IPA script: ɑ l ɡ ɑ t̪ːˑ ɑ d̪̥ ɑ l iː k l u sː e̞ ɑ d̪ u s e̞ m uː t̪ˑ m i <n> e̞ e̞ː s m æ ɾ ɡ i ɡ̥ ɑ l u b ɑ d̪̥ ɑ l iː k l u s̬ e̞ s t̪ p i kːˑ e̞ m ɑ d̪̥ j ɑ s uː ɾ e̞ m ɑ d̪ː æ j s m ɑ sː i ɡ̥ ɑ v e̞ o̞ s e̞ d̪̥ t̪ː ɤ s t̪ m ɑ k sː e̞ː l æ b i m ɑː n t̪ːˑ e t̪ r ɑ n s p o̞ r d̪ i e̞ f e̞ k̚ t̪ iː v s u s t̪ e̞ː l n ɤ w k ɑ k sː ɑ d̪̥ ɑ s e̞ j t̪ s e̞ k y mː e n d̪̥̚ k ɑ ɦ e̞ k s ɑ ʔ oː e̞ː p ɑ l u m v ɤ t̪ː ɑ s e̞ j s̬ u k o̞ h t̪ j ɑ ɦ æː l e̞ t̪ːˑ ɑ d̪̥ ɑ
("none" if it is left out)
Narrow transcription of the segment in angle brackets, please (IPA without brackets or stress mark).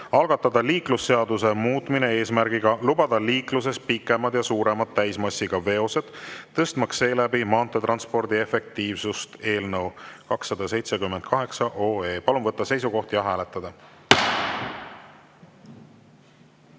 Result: n